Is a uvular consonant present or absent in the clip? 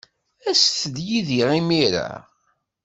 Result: present